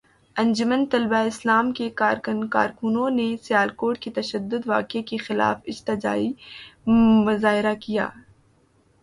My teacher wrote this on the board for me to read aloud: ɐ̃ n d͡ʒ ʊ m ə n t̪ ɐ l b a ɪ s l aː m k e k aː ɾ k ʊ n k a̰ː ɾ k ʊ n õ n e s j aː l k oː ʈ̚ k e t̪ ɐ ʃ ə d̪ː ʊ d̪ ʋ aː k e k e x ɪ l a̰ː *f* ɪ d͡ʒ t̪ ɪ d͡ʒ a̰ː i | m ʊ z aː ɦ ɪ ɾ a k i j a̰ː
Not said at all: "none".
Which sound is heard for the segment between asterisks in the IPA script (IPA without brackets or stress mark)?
f